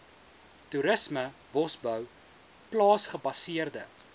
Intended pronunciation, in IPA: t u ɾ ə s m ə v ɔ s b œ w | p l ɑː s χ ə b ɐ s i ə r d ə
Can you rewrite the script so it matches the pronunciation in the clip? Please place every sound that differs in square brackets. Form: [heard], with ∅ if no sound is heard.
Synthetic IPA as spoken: t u ɾ ə s m ə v ɔ s b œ w | p l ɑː s χ ə b ɐ s i ə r d ə